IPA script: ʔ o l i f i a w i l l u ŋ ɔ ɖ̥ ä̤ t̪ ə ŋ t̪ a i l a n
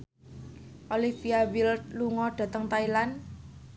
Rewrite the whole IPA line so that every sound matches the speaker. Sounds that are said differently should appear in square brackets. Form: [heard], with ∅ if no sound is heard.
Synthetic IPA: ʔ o l i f i a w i l l u ŋ ɔ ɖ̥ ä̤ t̪ ə ŋ t̪ a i l a n